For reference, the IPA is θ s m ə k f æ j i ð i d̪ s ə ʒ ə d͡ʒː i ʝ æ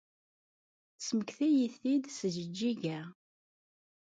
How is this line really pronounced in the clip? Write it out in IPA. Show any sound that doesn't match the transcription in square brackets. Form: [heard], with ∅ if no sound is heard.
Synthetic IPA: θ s m ə k [θ] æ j i [θ] i d̪ s ə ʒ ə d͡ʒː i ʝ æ